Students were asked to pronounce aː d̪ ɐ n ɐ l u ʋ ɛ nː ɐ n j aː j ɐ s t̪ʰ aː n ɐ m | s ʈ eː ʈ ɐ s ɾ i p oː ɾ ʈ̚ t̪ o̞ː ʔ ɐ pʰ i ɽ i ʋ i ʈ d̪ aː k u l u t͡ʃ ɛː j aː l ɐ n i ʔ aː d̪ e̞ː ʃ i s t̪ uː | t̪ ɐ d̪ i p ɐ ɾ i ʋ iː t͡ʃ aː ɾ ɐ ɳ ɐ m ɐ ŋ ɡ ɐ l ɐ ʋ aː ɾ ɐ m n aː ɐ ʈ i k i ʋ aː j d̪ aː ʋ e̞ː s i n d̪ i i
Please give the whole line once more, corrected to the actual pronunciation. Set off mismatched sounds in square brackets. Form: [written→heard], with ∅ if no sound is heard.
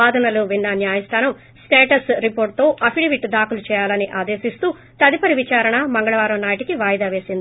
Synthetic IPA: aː d̪ ɐ n ɐ l u ʋ [ɛ→i] nː ɐ n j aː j ɐ s t̪ʰ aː n ɐ m | s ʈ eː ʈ ɐ s ɾ i p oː ɾ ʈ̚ t̪ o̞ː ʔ ɐ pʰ i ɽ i ʋ i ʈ d̪ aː k u l u t͡ʃ ɛː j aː l ɐ n i ʔ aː d̪ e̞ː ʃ i s t̪ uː | t̪ ɐ d̪ i p ɐ ɾ i ʋ [iː→i] t͡ʃ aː ɾ ɐ ɳ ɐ m ɐ ŋ ɡ ɐ [l→ɭ] ɐ ʋ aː ɾ ɐ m n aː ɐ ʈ i k i ʋ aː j d̪ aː ʋ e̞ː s i n d̪ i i